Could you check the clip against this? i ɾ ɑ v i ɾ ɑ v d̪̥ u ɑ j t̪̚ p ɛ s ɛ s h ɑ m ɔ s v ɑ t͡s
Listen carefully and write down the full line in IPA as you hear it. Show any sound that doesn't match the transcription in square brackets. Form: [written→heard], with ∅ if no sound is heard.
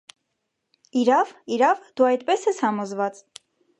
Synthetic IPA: i ɾ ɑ v i ɾ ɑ v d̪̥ u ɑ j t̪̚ p ɛ s ɛ s h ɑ m ɔ [s→z] v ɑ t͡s